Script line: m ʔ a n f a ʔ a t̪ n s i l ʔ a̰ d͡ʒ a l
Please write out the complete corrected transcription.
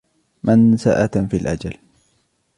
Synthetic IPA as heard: m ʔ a n s a ʔ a t̪ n f i l ʔ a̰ d͡ʒ a l